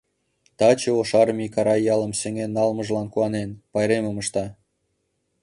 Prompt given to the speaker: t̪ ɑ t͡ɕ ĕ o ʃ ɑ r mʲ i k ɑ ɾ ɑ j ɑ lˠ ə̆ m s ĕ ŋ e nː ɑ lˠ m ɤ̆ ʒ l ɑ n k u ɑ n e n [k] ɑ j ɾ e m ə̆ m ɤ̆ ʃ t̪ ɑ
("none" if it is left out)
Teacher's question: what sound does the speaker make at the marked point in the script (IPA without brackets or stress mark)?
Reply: p